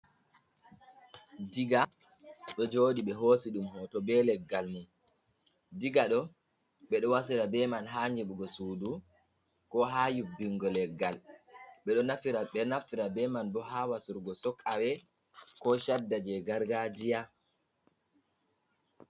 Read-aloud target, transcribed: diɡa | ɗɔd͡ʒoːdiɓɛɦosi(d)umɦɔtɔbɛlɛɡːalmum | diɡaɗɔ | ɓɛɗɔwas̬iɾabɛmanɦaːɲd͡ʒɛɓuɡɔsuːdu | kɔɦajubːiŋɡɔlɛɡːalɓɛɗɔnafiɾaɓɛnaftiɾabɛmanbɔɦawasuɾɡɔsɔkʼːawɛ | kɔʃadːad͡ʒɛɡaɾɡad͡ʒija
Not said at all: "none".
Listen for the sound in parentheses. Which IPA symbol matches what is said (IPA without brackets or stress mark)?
ɗ